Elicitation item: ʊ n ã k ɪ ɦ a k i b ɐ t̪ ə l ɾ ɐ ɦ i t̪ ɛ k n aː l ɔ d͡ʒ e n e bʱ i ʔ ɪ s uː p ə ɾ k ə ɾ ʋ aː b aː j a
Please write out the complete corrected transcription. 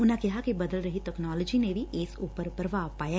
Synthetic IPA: ʊ n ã k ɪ ɦ a k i b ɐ d̪ ə l ɾ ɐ ɦ i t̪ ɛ k n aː l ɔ d͡ʒ i n e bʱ i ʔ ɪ s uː p ə ɾ p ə ɾ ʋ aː p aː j a